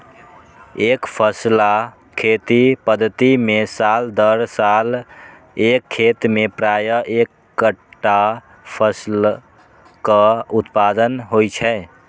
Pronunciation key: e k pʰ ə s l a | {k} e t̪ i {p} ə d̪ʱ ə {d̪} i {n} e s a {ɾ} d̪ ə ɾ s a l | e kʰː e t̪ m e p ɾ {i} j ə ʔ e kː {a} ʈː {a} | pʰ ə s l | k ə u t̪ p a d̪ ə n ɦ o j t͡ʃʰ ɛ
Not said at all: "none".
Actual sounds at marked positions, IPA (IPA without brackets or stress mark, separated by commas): kʰ, p, t̪, m, l, a, ə, a